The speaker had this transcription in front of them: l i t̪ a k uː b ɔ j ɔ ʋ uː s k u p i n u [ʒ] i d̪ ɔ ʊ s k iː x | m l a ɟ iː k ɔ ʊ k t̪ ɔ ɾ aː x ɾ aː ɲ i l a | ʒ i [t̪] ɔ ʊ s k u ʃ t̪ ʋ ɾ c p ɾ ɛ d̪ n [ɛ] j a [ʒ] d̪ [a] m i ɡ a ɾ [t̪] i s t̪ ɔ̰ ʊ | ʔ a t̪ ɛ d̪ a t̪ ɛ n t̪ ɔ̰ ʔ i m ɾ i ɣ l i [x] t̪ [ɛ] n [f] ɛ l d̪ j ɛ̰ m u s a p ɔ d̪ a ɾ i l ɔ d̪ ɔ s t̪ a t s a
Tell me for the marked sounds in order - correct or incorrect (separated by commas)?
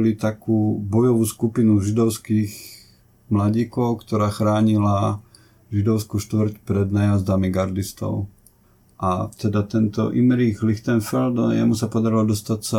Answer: correct, incorrect, incorrect, incorrect, correct, incorrect, correct, correct, correct